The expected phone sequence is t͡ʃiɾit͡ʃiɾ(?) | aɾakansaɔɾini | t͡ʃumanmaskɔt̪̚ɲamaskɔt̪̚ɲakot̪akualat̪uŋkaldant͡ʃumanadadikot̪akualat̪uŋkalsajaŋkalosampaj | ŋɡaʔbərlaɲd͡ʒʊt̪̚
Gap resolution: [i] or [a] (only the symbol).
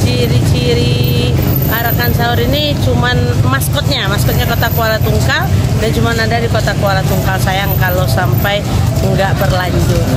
i